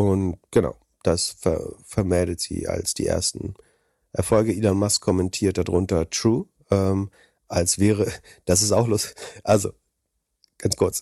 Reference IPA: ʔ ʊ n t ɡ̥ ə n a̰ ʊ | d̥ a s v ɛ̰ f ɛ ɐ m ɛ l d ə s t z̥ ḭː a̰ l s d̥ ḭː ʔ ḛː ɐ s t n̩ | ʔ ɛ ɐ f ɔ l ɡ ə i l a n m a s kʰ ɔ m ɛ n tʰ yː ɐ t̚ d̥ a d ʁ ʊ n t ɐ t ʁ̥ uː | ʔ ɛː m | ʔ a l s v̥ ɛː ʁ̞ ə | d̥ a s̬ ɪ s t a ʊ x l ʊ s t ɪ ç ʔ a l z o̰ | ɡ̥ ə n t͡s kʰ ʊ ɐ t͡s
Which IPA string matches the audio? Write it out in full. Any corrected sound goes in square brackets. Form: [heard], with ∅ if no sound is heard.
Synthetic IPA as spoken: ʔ ʊ n t ɡ̥ ə n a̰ ʊ | d̥ a s [f] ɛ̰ f ɛ ɐ m ɛ l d ə [∅] t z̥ ḭː a̰ l s d̥ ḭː ʔ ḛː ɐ s t n̩ | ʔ ɛ ɐ f ɔ l ɡ ə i l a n m a s kʰ ɔ m ɛ n tʰ [iː] ɐ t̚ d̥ a d ʁ ʊ n t ɐ t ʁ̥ uː | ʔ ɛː m | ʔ a l s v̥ ɛː ʁ̞ ə | d̥ a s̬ ɪ s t a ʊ x l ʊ s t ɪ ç ʔ a l z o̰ | ɡ̥ [a] n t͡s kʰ ʊ ɐ t͡s